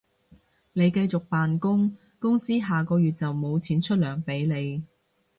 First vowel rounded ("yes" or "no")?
no